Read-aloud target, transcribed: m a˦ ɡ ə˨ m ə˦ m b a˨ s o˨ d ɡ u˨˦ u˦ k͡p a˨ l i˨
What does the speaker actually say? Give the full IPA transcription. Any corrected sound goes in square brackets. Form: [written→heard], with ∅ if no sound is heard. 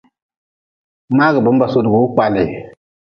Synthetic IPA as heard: m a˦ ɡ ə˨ [m→b] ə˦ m b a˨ s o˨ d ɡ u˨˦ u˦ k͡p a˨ l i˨